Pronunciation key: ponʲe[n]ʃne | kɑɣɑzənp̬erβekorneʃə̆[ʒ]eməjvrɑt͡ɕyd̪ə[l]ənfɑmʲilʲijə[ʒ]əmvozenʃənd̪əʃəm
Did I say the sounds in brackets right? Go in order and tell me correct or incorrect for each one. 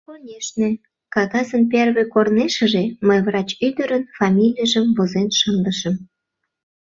incorrect: none, correct, incorrect: ɾ, correct

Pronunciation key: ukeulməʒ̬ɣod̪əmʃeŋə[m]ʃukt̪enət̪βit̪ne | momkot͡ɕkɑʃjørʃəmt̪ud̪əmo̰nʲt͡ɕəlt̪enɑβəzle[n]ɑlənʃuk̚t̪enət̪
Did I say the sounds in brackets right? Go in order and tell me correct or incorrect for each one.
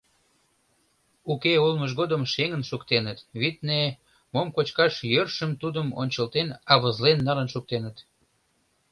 incorrect: n, incorrect: nː

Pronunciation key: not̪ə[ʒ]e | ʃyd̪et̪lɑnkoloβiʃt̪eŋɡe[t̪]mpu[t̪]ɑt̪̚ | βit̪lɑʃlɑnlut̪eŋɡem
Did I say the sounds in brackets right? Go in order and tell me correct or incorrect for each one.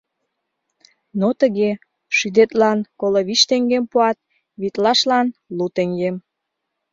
incorrect: ɣ, incorrect: none, incorrect: none

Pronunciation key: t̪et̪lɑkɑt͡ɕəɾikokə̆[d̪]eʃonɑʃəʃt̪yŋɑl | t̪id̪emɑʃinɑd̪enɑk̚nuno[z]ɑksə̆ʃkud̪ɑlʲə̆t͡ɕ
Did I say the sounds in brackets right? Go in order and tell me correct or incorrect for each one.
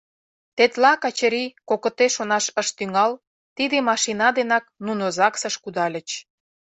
incorrect: t̪, correct

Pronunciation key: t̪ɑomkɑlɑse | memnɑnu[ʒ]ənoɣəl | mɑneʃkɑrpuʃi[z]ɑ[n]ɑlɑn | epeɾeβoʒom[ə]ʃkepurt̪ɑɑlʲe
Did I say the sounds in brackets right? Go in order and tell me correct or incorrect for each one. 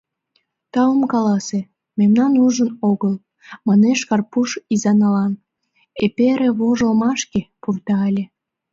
correct, correct, correct, incorrect: ɑ

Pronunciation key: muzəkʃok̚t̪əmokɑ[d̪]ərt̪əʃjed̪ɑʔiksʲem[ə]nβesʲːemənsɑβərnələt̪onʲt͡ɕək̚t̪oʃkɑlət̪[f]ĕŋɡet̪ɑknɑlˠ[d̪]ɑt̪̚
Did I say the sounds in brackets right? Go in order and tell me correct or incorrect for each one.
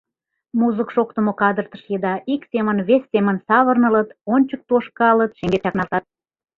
correct, correct, incorrect: ʃ, incorrect: t̪

